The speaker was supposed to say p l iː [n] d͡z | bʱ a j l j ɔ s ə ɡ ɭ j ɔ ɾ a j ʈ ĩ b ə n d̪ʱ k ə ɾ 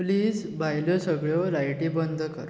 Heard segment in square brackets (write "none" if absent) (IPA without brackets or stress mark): none